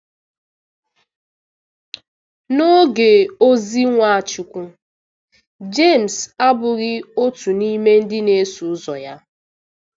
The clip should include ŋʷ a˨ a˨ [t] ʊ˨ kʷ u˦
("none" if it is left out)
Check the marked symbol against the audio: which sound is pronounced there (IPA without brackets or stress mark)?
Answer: t͡ʃ